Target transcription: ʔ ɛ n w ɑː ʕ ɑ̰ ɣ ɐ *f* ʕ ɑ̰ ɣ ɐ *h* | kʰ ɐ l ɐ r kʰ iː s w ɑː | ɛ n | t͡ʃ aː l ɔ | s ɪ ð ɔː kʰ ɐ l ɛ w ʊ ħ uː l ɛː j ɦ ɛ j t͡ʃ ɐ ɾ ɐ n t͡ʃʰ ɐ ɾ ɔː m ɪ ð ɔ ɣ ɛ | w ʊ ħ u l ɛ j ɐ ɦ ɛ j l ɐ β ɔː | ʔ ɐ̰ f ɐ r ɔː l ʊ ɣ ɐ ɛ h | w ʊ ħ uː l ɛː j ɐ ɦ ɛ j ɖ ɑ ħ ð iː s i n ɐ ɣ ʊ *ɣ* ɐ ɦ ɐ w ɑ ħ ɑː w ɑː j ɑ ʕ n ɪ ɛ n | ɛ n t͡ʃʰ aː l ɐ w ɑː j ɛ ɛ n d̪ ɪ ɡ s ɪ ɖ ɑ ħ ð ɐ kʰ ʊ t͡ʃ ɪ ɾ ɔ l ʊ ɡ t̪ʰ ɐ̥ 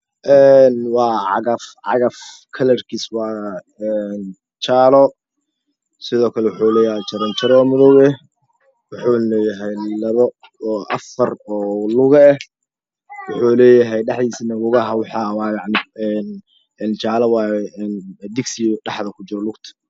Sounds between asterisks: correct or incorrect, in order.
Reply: correct, incorrect: f, correct

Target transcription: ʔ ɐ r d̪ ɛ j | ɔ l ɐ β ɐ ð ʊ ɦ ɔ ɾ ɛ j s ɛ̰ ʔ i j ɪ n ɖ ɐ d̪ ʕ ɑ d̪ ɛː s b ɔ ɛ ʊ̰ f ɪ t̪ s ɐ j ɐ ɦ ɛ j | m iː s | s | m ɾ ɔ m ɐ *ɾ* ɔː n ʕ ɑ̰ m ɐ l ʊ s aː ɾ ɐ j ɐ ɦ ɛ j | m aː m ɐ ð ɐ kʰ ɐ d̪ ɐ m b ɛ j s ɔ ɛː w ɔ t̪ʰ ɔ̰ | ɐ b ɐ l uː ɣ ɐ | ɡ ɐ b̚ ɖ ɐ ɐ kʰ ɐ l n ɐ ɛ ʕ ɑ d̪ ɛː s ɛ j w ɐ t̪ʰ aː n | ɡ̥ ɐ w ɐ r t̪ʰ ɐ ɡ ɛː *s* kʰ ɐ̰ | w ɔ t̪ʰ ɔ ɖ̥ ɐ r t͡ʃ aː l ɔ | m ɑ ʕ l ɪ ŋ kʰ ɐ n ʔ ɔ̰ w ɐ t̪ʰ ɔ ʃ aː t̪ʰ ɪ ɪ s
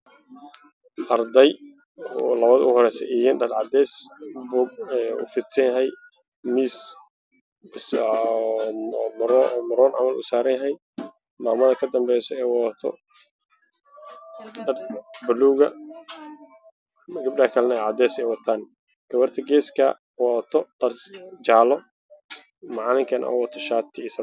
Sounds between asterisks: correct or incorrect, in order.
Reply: correct, correct

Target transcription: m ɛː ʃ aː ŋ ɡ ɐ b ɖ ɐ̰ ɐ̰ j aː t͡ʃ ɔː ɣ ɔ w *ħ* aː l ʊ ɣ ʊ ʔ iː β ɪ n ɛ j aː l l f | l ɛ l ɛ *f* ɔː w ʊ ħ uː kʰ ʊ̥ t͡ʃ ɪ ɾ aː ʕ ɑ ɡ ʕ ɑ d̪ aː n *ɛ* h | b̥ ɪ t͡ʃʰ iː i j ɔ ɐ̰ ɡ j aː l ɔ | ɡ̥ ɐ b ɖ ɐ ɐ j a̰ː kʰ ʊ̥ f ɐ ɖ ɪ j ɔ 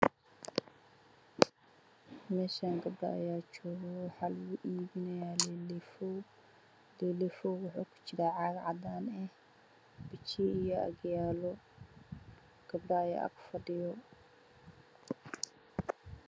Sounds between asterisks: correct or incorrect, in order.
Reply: correct, correct, correct

